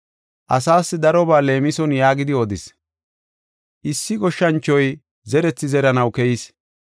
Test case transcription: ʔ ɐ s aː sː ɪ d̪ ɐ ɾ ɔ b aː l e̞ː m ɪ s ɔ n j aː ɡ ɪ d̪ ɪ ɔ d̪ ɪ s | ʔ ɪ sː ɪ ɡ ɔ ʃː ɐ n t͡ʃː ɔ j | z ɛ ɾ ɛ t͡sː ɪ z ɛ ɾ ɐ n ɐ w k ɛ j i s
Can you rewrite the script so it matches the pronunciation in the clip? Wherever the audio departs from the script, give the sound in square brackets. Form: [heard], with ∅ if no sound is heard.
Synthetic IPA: ʔ ɐ s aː sː ɪ d̪ ɐ ɾ ɔ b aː l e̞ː m ɪ s ɔ n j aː ɡ ɪ d̪ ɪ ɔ d̪ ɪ s | ʔ ɪ sː ɪ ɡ ɔ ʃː ɐ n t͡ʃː ɔ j | z ɛ ɾ ɛ t͡sː ɪ z ɛ ɾ ɐ n ɐ w k ɛ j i s